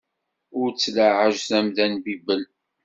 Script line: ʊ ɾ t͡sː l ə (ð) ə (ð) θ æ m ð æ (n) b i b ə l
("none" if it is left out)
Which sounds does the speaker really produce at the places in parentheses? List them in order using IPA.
ʕ, ʒ, n

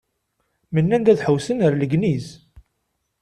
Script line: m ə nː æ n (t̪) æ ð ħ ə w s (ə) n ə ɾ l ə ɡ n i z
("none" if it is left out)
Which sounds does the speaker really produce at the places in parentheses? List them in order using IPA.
d̪, ə

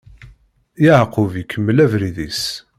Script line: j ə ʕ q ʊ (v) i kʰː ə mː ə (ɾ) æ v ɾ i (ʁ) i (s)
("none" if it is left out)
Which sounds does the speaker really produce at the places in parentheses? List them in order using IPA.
v, l, ð, s

